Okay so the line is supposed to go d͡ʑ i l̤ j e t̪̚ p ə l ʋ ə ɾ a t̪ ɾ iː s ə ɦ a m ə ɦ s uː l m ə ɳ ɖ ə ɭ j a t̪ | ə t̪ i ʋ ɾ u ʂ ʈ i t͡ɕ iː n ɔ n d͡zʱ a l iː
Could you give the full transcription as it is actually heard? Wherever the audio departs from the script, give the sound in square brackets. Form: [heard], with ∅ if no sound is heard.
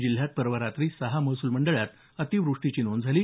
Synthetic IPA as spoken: d͡ʑ i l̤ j [a] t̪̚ p ə [ɾ] ʋ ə ɾ a t̪ ɾ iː s ə ɦ a m ə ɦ s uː l m ə ɳ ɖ ə ɭ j a t̪ | ə t̪ i ʋ ɾ u ʂ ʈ i t͡ɕ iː n [o] n d͡zʱ a l iː